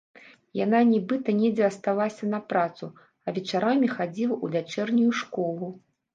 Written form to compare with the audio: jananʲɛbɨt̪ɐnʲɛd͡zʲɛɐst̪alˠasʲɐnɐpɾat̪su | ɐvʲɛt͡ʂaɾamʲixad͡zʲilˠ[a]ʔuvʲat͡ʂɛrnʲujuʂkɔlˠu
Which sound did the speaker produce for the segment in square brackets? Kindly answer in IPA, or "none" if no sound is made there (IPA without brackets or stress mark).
ɐ